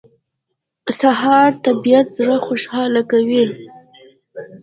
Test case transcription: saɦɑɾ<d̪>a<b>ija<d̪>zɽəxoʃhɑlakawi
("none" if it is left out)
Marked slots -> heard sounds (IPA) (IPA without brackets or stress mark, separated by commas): t̪, b, t̪